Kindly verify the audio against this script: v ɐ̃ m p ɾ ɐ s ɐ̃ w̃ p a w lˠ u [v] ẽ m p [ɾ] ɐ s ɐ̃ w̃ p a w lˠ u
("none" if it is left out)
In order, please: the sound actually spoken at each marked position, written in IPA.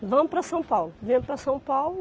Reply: v, ɾ

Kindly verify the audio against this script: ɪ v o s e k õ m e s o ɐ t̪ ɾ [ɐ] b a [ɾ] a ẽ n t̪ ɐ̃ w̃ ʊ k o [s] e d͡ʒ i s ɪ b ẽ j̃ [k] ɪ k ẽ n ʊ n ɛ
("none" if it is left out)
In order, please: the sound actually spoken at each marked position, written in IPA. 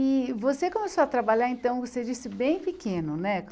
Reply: a, ʎ, s, p

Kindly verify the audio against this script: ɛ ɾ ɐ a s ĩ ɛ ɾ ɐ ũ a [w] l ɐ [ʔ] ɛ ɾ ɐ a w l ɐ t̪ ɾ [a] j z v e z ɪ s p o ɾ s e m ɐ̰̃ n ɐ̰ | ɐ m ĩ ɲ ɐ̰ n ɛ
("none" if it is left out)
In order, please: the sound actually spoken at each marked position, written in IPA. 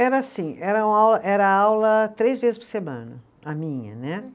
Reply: w, ʔ, e

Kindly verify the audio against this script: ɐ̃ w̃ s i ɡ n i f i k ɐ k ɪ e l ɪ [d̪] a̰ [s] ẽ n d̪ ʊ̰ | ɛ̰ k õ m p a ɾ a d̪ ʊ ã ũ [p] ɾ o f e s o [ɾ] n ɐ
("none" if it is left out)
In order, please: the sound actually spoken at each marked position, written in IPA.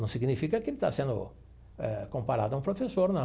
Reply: t̪, s, p, ɾ

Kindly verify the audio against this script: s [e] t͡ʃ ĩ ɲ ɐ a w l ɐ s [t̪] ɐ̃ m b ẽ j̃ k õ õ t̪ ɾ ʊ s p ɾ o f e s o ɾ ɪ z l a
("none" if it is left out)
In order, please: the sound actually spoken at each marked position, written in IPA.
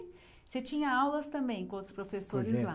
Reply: e, t̪

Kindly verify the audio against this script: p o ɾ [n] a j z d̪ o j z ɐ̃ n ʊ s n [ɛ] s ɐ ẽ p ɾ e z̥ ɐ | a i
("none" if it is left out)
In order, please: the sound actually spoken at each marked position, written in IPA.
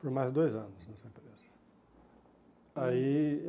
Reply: m, ɛ

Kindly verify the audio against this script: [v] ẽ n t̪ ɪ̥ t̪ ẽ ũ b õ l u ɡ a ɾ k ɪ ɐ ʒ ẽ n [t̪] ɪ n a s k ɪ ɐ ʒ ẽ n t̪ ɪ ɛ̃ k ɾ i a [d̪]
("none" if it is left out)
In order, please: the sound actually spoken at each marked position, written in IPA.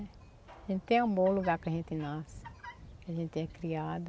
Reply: ʒ, t̪, d̪

